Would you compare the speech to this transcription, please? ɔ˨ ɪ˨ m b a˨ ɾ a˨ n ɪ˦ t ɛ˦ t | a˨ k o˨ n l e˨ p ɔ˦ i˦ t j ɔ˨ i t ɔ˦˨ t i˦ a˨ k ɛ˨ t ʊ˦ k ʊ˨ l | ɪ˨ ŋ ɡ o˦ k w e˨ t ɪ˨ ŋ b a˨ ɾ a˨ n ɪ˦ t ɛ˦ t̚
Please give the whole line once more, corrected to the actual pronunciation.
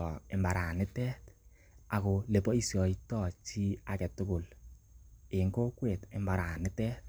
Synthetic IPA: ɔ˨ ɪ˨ m b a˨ ɾ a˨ n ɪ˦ t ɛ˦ t | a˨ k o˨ l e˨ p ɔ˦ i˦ s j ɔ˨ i t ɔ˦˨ t͡ʃ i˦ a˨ k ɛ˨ t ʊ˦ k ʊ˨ l | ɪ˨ ŋ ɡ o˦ k w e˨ t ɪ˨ m b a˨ ɾ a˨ n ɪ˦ t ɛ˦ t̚